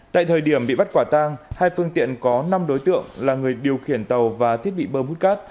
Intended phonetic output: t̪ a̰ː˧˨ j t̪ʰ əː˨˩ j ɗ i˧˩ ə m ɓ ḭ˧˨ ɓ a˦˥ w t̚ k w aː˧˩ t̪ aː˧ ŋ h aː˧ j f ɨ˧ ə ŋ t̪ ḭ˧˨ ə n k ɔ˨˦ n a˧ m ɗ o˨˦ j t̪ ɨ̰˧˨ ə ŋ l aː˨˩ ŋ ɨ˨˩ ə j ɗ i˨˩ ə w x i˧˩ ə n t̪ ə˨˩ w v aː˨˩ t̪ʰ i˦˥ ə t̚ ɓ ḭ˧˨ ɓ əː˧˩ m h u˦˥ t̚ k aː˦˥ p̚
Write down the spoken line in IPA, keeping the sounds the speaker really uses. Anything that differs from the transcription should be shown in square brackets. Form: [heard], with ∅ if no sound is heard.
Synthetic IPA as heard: t̪ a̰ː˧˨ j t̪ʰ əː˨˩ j ɗ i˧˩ ə m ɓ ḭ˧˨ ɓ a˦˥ [∅] t̚ k w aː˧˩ t̪ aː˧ ŋ h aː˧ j f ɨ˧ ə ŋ t̪ ḭ˧˨ ə n k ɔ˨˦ n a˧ m ɗ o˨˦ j t̪ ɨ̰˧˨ ə ŋ l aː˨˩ ŋ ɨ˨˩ ə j ɗ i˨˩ ə w x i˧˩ ə n t̪ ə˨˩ w v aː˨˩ t̪ʰ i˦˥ ə t̚ ɓ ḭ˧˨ ɓ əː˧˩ m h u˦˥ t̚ k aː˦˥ [t̚]